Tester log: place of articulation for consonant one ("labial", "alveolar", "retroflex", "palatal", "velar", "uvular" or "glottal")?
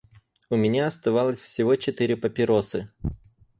labial